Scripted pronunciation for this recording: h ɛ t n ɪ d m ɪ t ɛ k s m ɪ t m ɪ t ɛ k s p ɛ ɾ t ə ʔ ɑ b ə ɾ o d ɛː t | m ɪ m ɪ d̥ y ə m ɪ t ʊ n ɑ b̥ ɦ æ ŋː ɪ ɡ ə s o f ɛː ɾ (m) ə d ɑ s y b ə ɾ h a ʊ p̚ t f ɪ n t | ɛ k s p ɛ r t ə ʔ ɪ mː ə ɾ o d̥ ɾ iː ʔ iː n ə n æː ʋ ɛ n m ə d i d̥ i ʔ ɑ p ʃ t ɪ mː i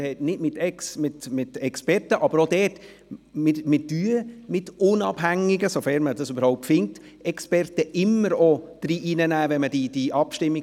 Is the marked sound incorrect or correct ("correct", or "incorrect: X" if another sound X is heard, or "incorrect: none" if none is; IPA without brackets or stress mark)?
correct